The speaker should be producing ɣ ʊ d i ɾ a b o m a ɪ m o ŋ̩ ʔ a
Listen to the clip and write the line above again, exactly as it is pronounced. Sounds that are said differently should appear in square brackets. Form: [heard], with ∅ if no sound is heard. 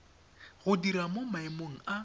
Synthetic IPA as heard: ɣ ʊ d i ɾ a [m] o m a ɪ m o ŋ̩ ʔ a